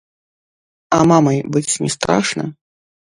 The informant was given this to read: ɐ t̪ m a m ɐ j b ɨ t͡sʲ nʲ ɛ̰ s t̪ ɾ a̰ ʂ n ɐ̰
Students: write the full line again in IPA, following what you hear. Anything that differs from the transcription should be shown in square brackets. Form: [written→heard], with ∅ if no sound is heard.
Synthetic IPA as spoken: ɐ [t̪→∅] m a m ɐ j b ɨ t͡sʲ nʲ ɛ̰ s t̪ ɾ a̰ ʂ n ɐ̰